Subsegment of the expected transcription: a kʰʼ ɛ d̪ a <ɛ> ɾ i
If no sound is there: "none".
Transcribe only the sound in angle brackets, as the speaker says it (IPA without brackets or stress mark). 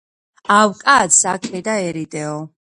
ɛ